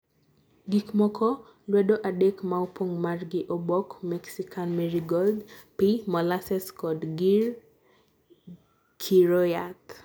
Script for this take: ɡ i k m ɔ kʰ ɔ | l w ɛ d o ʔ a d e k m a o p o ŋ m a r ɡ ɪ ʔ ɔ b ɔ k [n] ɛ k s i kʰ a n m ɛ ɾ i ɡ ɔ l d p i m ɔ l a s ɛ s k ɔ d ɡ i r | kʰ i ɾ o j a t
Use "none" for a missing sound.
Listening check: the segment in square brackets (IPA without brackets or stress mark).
m